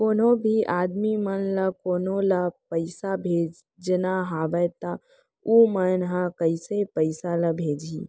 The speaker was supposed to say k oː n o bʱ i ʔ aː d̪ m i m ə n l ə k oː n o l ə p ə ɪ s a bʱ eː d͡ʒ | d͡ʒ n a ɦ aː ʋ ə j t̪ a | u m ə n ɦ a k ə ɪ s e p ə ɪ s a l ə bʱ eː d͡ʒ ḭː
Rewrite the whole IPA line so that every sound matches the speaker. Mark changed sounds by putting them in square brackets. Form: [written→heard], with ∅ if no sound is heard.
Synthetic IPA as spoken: k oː n o bʱ i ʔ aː d̪ m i m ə n l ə k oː n o l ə p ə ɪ s a bʱ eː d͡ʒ | d͡ʒ n a ɦ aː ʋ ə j t̪ a | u m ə n ɦ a k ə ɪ s e p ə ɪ s a l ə bʱ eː d͡ʒ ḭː